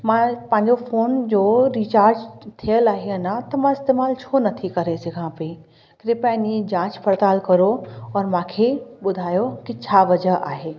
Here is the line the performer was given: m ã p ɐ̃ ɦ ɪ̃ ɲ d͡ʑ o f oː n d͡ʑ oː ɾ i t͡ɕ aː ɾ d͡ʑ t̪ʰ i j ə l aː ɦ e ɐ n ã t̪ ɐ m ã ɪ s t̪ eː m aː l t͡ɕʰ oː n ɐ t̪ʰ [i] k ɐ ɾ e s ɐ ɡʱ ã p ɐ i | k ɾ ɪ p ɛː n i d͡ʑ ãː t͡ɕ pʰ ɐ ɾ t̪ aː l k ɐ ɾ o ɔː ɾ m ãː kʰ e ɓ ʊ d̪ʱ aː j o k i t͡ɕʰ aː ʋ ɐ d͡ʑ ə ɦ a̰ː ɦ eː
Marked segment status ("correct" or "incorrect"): correct